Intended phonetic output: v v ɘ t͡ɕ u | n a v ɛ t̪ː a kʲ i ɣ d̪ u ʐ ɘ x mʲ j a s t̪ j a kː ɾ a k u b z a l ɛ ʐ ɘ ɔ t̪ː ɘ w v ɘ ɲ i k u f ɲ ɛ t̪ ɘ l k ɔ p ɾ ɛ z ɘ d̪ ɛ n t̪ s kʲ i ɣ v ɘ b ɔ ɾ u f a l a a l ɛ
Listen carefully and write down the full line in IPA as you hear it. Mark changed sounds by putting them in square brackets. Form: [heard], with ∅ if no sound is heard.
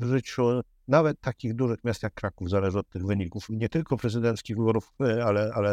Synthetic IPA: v [ʐ] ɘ t͡ɕ u | n a v ɛ t̪ː a kʲ i ɣ d̪ u ʐ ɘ x mʲ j a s t̪ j a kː ɾ a k u [v] z a l ɛ ʐ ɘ ɔ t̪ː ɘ [ɣ] v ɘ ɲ i k u f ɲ ɛ t̪ ɘ l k ɔ p ɾ ɛ z ɘ d̪ ɛ n t̪ s kʲ i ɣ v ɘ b ɔ ɾ u f a l [ɛ] a l ɛ